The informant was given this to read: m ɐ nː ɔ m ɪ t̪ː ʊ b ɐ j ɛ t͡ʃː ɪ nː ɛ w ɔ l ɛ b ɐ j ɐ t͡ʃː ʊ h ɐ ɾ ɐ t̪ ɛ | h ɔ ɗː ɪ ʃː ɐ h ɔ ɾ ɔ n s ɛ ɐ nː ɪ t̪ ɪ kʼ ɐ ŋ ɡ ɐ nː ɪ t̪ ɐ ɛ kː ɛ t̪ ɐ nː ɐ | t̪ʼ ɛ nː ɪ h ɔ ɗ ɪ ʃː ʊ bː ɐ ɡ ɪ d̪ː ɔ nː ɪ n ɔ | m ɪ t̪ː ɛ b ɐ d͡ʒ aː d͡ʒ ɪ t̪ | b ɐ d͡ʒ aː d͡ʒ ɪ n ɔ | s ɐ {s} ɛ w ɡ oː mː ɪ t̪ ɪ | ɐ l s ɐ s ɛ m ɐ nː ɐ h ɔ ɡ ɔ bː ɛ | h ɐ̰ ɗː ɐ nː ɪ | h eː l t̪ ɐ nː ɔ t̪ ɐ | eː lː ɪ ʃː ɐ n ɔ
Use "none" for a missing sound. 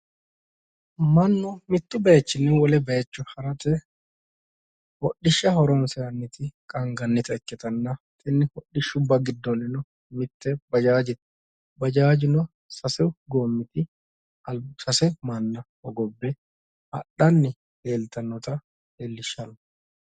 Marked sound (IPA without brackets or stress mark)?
s